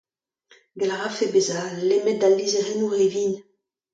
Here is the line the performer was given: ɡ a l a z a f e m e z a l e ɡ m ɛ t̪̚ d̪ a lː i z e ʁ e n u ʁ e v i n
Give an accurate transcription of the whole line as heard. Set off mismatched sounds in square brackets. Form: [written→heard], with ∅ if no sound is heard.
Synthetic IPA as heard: ɡ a l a [z→ʁ] a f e [m→b] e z a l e [ɡ→∅] m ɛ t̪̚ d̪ a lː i z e ʁ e n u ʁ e v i n